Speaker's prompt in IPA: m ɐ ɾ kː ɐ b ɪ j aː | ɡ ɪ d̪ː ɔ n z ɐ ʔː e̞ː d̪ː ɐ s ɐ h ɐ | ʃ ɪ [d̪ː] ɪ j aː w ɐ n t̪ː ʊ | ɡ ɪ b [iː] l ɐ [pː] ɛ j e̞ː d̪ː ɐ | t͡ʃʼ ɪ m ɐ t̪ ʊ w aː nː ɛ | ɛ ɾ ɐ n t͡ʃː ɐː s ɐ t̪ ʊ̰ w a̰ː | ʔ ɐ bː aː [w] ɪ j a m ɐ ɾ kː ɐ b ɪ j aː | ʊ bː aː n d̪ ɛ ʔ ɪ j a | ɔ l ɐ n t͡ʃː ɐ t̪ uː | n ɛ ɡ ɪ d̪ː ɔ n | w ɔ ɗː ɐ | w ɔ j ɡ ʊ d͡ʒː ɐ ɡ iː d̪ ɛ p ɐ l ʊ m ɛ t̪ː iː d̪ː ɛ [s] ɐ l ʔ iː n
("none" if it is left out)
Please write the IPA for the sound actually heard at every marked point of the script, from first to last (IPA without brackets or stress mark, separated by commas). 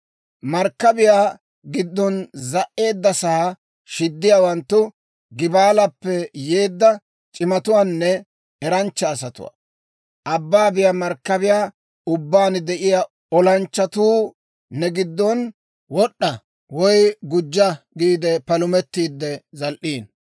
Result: d̪ː, aː, pː, b, z